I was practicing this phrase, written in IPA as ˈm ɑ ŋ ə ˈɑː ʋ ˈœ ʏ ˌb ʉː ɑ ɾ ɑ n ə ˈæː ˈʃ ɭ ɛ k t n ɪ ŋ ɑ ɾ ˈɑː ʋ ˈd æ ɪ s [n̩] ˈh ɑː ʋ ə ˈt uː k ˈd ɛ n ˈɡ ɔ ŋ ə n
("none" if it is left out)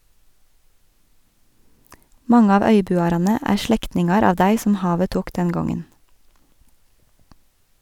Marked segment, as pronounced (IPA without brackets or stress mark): m̩